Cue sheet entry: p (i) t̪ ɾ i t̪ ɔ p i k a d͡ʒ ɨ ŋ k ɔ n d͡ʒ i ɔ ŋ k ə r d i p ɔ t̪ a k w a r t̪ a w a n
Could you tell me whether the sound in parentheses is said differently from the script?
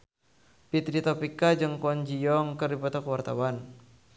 no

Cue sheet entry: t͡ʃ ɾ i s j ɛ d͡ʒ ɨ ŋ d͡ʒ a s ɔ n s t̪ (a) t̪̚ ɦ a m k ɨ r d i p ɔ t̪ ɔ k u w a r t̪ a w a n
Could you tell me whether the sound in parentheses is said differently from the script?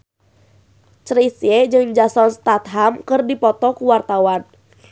no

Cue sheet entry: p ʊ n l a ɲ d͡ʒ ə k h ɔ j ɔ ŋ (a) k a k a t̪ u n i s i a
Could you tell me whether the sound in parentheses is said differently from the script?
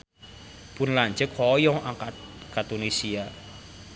no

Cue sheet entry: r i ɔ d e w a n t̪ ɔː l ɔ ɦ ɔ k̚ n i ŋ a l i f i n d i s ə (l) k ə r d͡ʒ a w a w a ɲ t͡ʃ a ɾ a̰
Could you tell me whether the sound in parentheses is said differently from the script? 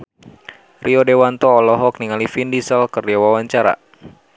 no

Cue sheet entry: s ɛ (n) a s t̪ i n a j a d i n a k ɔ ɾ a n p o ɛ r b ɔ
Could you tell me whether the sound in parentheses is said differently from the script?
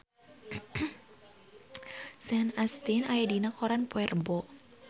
no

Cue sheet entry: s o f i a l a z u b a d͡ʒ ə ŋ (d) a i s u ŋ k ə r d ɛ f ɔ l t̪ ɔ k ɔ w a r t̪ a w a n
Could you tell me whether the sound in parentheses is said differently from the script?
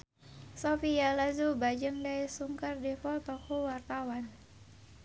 no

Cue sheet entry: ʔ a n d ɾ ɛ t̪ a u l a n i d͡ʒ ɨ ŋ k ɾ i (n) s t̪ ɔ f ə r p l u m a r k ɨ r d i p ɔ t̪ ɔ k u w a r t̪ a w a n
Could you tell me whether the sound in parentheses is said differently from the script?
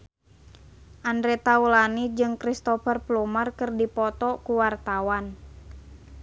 yes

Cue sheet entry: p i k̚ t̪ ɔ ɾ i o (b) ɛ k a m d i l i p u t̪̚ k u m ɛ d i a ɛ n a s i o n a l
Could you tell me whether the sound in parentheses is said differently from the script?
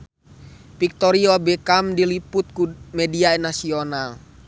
no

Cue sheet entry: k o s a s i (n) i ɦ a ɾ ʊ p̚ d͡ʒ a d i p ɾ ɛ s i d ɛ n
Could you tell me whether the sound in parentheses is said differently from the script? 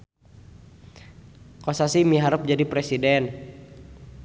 yes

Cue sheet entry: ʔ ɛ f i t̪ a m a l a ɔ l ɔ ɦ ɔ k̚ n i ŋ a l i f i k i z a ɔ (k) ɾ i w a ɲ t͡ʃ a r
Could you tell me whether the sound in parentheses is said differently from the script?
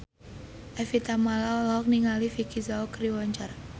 no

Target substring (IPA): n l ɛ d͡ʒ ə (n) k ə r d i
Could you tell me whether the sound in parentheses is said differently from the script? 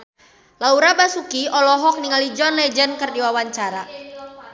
no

